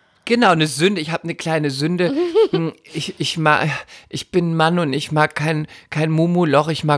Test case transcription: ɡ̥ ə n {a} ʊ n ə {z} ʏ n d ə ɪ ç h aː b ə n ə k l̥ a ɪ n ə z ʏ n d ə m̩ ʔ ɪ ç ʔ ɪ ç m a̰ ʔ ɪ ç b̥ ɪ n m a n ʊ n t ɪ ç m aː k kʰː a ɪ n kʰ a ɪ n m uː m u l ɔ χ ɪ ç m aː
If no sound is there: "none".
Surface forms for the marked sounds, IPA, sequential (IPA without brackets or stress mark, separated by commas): a, z